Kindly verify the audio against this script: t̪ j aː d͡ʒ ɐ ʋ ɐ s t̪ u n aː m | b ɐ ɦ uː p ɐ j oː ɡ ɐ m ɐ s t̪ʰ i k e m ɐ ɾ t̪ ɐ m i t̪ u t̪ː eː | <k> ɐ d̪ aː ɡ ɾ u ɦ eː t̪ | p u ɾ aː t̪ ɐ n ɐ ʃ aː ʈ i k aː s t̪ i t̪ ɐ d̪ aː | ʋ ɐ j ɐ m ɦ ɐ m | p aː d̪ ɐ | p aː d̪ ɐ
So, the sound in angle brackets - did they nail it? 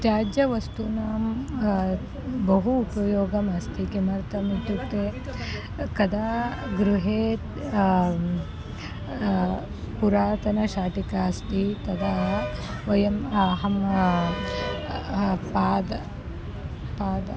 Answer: yes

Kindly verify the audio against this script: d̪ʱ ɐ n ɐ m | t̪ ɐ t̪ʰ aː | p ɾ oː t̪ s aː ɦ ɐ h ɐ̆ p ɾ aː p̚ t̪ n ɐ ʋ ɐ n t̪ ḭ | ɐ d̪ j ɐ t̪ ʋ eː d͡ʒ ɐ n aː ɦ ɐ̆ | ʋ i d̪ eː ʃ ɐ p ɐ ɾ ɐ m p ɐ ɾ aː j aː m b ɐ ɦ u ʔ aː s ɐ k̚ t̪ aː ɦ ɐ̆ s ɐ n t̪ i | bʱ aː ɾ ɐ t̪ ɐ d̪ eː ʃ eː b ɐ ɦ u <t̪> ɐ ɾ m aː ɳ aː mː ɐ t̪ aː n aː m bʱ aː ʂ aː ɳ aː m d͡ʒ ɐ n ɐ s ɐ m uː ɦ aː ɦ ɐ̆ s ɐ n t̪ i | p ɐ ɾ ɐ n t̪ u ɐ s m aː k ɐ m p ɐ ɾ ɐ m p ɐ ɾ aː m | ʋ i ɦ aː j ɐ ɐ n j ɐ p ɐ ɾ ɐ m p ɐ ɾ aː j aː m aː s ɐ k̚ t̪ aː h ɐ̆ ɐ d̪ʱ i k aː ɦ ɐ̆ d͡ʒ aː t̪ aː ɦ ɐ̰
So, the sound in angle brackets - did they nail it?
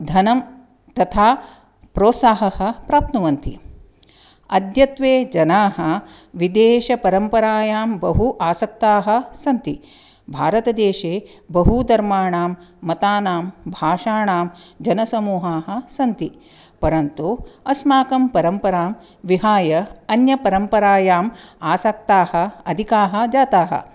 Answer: no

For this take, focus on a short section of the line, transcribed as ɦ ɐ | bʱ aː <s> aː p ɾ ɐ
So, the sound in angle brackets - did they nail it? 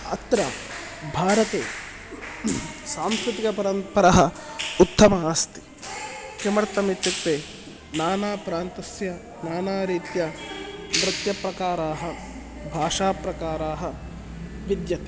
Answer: no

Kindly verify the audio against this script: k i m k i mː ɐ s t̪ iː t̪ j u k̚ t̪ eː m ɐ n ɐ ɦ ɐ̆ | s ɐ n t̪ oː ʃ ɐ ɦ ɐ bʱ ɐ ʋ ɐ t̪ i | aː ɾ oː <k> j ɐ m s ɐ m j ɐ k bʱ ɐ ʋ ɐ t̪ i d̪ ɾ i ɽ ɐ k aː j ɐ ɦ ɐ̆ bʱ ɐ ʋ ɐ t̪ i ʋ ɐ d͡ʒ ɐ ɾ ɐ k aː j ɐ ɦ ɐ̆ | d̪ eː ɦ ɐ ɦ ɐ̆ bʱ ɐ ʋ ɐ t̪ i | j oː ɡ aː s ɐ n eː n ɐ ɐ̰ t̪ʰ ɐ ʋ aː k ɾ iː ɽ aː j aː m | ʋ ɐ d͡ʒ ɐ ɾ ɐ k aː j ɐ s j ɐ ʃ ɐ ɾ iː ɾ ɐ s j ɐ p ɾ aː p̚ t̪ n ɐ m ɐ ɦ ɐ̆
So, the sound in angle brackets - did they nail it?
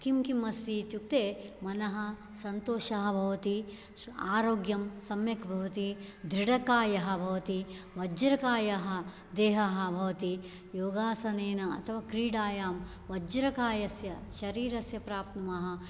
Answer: no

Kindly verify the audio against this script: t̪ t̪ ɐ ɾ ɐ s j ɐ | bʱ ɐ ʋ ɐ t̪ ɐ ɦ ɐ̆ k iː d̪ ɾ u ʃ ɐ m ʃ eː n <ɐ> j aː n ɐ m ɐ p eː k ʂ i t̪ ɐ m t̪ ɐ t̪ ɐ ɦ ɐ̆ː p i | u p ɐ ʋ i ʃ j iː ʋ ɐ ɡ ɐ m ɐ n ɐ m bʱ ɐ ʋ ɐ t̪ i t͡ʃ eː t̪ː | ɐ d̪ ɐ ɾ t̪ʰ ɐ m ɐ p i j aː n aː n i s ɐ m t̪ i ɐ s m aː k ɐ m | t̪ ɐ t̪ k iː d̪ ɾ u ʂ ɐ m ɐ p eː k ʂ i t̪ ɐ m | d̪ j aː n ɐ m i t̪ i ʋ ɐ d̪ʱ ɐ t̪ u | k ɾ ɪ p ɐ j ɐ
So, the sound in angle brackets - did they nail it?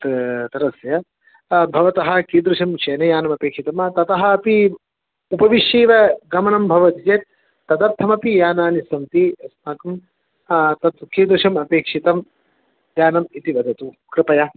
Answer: yes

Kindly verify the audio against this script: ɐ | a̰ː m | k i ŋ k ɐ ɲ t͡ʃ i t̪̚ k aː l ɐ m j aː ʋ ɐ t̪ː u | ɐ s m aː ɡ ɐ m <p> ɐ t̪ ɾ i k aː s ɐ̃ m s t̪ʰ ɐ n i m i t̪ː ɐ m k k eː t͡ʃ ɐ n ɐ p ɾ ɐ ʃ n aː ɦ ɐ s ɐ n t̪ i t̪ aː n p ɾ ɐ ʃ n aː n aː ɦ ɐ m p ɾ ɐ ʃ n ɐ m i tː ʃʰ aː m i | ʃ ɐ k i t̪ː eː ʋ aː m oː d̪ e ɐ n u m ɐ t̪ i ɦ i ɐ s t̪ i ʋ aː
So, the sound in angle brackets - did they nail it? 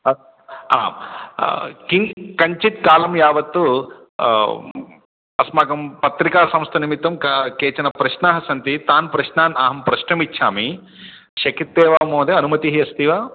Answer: yes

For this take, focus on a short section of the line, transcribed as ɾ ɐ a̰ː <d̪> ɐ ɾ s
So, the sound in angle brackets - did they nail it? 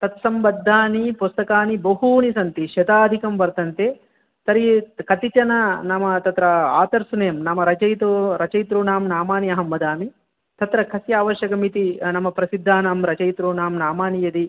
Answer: no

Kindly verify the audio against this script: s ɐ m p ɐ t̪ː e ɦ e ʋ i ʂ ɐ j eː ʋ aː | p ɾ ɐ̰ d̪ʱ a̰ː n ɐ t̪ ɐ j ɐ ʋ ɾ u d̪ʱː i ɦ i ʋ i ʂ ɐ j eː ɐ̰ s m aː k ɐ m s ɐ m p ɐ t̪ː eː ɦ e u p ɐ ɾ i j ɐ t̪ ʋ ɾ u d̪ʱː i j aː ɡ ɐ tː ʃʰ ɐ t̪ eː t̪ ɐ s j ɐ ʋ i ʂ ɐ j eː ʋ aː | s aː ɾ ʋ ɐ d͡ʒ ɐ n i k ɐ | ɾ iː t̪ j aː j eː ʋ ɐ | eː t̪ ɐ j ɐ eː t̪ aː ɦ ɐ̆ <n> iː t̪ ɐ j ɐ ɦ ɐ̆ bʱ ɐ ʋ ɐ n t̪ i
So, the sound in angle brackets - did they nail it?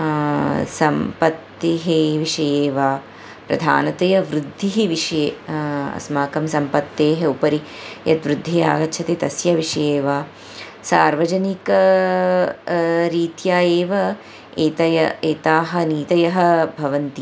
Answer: yes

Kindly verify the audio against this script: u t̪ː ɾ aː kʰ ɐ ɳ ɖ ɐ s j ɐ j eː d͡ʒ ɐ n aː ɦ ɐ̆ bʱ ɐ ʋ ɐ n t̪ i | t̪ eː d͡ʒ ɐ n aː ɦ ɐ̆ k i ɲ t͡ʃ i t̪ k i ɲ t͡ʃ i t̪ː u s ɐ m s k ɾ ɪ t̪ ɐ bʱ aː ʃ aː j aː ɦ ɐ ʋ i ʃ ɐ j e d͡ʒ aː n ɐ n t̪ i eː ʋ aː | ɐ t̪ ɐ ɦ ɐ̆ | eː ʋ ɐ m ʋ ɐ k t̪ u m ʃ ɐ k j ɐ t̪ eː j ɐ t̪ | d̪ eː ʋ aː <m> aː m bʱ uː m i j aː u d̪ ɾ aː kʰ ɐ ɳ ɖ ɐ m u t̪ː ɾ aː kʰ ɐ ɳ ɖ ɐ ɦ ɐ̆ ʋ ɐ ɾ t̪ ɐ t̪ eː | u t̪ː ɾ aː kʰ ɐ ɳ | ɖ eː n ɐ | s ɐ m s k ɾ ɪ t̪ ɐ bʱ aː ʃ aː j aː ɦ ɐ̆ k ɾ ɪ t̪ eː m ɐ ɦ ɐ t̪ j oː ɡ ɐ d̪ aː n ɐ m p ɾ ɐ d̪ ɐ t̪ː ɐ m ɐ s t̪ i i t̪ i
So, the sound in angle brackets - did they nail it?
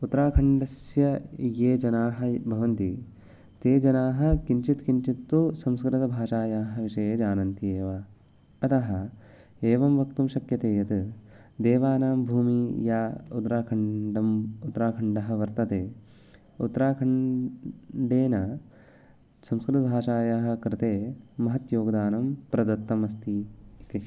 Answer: no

